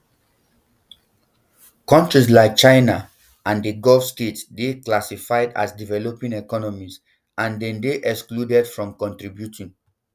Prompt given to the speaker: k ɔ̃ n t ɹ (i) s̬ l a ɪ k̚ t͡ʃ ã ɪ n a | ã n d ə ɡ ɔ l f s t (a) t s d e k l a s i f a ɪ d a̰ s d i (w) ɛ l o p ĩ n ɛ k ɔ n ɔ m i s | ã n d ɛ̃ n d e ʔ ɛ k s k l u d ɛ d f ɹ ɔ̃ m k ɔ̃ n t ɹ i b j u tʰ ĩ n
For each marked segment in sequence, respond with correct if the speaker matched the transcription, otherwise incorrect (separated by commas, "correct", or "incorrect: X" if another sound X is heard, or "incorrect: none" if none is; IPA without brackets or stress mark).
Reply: correct, incorrect: e, incorrect: v